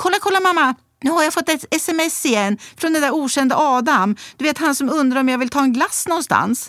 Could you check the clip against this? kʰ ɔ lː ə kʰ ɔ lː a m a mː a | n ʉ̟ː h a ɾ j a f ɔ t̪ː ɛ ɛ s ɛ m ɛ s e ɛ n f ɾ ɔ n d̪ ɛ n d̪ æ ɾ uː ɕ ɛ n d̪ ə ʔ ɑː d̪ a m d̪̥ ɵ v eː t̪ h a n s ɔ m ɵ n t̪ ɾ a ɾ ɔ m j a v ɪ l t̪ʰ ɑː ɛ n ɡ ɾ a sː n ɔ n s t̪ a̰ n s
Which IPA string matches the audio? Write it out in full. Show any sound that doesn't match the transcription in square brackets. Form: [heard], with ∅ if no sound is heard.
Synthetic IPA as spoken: kʰ ɔ lː [a] kʰ ɔ lː a m a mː a | n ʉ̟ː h a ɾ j a f ɔ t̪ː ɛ ɛ s ɛ m ɛ s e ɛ n f ɾ ɔ n d̪ ɛ n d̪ æ ɾ uː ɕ ɛ n d̪ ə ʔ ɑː d̪ a m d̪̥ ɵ v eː t̪ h a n s ɔ m ɵ n [d̪] ɾ a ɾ ɔ m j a v ɪ l t̪ʰ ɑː ɛ n ɡ [l] a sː n ɔ n s t̪ a̰ n s